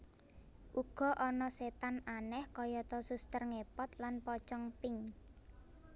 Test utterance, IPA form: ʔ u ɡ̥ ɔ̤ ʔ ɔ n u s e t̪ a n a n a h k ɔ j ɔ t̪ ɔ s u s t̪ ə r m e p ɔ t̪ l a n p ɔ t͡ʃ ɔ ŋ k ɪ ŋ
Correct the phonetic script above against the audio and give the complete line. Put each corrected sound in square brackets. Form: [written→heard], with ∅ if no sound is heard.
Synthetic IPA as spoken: ʔ u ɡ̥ ɔ̤ ʔ ɔ n [u→ɔ] s e t̪ a n a n [a→ɛ] h k ɔ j ɔ t̪ ɔ s u s t̪ ə r [m→ŋ] e p ɔ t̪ l a n p ɔ t͡ʃ ɔ ŋ [k→p] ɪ ŋ